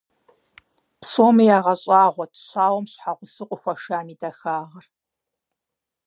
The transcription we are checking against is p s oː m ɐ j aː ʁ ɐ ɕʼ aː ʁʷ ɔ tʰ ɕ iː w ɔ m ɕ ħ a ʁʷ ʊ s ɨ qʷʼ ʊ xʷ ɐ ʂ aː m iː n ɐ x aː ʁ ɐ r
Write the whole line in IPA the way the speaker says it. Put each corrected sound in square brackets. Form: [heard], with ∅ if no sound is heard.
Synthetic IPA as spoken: p s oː m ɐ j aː ʁ ɐ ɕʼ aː ʁʷ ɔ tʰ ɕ [aː] w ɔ m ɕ ħ a ʁʷ ʊ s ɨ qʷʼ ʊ xʷ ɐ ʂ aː m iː [d] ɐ x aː ʁ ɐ r